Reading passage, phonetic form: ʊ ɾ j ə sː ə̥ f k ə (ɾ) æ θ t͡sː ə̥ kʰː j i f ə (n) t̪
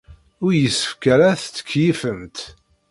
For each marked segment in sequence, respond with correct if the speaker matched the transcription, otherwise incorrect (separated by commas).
correct, incorrect